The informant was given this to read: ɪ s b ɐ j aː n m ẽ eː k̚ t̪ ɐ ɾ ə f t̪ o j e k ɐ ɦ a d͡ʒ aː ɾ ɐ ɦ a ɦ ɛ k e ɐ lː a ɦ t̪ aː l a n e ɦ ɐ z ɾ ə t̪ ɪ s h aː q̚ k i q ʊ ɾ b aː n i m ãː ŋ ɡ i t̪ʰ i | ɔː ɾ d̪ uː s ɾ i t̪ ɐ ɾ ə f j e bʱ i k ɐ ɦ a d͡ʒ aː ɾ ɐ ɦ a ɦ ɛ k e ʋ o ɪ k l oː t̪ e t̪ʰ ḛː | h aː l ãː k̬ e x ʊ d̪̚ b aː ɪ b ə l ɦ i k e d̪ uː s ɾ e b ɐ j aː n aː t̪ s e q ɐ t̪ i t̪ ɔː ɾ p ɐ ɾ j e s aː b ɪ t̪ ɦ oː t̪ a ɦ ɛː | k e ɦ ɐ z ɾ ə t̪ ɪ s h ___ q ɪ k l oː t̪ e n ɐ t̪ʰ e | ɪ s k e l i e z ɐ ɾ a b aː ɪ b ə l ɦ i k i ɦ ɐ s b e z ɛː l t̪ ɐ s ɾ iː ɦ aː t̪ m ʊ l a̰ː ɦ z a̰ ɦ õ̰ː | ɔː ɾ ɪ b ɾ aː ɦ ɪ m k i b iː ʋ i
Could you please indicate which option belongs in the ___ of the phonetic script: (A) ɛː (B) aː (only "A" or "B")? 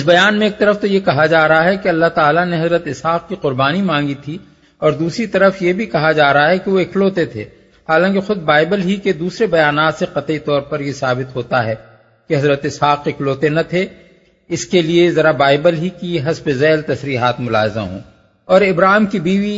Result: B